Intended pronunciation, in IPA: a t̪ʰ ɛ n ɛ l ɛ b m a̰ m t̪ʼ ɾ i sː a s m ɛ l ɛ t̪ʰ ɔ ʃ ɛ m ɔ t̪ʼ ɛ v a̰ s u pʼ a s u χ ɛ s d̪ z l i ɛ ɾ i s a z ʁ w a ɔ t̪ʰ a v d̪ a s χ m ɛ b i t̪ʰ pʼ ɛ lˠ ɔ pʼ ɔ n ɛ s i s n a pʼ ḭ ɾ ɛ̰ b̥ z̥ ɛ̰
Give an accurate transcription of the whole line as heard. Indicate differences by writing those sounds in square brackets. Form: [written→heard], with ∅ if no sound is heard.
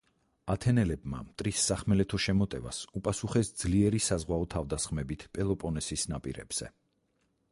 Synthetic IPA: a t̪ʰ ɛ n ɛ l ɛ b m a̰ m t̪ʼ ɾ i sː a [s→χ] m ɛ l ɛ t̪ʰ ɔ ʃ ɛ m ɔ t̪ʼ ɛ v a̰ s u pʼ a s u χ ɛ s d̪ z l i ɛ ɾ i s a z ʁ w a ɔ t̪ʰ a v d̪ a s χ m ɛ b i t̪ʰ pʼ ɛ lˠ ɔ pʼ ɔ n ɛ s i s n a pʼ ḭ ɾ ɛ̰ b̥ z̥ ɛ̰